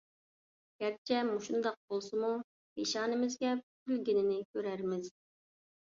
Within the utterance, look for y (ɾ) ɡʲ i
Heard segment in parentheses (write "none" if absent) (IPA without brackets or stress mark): l